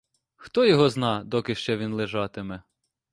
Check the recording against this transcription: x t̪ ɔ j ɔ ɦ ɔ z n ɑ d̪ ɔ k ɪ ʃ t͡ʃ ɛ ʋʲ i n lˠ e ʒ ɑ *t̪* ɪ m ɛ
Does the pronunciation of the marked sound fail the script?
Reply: no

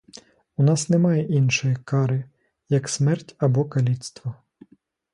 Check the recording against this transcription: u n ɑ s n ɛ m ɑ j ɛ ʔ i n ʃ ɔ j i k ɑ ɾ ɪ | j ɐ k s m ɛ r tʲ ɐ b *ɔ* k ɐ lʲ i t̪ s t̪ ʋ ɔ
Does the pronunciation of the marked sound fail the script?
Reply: no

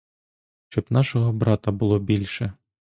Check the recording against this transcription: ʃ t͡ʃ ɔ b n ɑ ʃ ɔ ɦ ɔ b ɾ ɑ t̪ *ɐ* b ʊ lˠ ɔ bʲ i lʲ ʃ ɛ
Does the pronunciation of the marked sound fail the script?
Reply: no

